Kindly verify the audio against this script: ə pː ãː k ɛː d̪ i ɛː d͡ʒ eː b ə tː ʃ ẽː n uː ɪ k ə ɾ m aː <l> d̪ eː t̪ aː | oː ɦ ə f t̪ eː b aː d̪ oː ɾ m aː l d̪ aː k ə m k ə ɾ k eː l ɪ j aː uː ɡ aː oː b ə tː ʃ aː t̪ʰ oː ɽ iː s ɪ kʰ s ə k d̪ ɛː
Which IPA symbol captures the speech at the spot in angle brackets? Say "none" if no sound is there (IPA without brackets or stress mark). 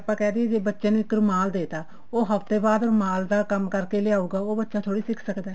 l